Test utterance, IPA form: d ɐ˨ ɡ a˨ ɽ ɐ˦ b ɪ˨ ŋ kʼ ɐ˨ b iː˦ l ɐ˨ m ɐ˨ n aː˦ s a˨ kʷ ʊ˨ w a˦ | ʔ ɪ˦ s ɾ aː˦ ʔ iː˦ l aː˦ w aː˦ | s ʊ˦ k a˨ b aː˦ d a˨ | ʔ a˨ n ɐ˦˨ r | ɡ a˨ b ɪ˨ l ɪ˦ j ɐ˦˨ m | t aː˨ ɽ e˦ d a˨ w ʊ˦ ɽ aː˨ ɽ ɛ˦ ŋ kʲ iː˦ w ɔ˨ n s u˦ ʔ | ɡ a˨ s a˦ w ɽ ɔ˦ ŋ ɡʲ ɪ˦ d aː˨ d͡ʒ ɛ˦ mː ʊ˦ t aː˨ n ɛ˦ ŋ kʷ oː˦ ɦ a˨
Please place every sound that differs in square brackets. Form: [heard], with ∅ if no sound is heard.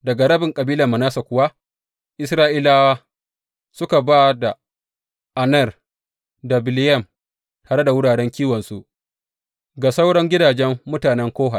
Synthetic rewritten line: d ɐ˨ ɡ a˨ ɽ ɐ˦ b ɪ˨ ŋ kʼ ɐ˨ b iː˦ l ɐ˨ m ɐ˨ n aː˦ s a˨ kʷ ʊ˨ w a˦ | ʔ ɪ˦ s ɾ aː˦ ʔ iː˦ l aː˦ w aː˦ | s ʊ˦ k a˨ b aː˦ d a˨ | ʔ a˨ n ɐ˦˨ r | [d] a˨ b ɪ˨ l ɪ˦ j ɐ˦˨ m | t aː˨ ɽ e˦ d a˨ w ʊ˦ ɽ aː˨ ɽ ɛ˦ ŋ kʲ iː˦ w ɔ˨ n s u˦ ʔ | ɡ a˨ s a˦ w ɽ ɔ˦ ŋ ɡʲ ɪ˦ d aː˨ d͡ʒ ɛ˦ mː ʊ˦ t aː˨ n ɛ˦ ŋ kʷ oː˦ ɦ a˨